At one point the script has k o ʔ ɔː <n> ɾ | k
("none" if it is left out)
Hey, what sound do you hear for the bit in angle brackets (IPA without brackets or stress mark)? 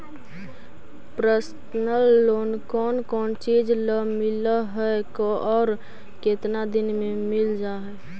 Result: none